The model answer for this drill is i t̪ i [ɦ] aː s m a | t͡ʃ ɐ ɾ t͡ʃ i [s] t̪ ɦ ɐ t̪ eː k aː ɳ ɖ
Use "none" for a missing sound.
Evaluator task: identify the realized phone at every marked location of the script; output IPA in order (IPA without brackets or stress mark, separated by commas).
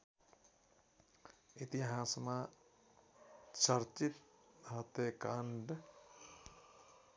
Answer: ɦ, none